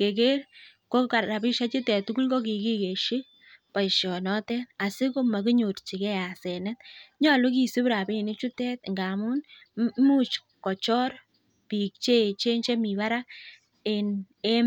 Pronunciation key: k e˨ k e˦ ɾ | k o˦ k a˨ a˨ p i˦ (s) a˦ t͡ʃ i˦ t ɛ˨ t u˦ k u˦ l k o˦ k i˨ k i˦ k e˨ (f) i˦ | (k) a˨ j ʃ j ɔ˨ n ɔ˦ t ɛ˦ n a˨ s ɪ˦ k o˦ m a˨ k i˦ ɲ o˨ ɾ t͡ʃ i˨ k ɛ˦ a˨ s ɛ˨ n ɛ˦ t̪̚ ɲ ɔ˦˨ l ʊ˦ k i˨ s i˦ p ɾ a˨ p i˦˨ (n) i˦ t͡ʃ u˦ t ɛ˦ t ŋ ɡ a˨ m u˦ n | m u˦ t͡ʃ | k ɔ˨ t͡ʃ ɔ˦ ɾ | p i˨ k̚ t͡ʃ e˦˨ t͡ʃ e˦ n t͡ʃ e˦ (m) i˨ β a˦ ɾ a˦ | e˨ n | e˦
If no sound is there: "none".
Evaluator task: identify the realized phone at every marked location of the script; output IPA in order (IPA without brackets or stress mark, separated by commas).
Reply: ʃ, ʃ, p, n, m